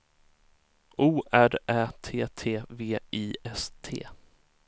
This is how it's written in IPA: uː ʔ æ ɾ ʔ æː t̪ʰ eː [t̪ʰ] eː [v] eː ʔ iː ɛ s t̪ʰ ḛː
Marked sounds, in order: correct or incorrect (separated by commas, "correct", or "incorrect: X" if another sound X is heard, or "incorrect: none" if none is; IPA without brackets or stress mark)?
correct, correct